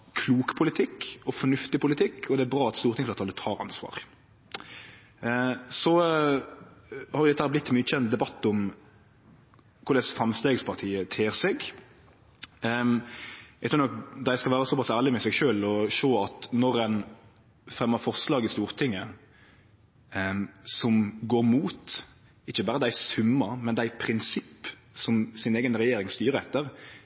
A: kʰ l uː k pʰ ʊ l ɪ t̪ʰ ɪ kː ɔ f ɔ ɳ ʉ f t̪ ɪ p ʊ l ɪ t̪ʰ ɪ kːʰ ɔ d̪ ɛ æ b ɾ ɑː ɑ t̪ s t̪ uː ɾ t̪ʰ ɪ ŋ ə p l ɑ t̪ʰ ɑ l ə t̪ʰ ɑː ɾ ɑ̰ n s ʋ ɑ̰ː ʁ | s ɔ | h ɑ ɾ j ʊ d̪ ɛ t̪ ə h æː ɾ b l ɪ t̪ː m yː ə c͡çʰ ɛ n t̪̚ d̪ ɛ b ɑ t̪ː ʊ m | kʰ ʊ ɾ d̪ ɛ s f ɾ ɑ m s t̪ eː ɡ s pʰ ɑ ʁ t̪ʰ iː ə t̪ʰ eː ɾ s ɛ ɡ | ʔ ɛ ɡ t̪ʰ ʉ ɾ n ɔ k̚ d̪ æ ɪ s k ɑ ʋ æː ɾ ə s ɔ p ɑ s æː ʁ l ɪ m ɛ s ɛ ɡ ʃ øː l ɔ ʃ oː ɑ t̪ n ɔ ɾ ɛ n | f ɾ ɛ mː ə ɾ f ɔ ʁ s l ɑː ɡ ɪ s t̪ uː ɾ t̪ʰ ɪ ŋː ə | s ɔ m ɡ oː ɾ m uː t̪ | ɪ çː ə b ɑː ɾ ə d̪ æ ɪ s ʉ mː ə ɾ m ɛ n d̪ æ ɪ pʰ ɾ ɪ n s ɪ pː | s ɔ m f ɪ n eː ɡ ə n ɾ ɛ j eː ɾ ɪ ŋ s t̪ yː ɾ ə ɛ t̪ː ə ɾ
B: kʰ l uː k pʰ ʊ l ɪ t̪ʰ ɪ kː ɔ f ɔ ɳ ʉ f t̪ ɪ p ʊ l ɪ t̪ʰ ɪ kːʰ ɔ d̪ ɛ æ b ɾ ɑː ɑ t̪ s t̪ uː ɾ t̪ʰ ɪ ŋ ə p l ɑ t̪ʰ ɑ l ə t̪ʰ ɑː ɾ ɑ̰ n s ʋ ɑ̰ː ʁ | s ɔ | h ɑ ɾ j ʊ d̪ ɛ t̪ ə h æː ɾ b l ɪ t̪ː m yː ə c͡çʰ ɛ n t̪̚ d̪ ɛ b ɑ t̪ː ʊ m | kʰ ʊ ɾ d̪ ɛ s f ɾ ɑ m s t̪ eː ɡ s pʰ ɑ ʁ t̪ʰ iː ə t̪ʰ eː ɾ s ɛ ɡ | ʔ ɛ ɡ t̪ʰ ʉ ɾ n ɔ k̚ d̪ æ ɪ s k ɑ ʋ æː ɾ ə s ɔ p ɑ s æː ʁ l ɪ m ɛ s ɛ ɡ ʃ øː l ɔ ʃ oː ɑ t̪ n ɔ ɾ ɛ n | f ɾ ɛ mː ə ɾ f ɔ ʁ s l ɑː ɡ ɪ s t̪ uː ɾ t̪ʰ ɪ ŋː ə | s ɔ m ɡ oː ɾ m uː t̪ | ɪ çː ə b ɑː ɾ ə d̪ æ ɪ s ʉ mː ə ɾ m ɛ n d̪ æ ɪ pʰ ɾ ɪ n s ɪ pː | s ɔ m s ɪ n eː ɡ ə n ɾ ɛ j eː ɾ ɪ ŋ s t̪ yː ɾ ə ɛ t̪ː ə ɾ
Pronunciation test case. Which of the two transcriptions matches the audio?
B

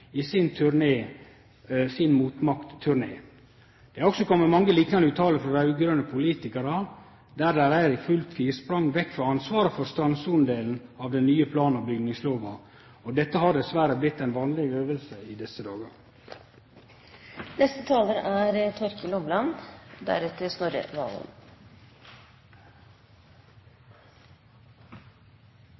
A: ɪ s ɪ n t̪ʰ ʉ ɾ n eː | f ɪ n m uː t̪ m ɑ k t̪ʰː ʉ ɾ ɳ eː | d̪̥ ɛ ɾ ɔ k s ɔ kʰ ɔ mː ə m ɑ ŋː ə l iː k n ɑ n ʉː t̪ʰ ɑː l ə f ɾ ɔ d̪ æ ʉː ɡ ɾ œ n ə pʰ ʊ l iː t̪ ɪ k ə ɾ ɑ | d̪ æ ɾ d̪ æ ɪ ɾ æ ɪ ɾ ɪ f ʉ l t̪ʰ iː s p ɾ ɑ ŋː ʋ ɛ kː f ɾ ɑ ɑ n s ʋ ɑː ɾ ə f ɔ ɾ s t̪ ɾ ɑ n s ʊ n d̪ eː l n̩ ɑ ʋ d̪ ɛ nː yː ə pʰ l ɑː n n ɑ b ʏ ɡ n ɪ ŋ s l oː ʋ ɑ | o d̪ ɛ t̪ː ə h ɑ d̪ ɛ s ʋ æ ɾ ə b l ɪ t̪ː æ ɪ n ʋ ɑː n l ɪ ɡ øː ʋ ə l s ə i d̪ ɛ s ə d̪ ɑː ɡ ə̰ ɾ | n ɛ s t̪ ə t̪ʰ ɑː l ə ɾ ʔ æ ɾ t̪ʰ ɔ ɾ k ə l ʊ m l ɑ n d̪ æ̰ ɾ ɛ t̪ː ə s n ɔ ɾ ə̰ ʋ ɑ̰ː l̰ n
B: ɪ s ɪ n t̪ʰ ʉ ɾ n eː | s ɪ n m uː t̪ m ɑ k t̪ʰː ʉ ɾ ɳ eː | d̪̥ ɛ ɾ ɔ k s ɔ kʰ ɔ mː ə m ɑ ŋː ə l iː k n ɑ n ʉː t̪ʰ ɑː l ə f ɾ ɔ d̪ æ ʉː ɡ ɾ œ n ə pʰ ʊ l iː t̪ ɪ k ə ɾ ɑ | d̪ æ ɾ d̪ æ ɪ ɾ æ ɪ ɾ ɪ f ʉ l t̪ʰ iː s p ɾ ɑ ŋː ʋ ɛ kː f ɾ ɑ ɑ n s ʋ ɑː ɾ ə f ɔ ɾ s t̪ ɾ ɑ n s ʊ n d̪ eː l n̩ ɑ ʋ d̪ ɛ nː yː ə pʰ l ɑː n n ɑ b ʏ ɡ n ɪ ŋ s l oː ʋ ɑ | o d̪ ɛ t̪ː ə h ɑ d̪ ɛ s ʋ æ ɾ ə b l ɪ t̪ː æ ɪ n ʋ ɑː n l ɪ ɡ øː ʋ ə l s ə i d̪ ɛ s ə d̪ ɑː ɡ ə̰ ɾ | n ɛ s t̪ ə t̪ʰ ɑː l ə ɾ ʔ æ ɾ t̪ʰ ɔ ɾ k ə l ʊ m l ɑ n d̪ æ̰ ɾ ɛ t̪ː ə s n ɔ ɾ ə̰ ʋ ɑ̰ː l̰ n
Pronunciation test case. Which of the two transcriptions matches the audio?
B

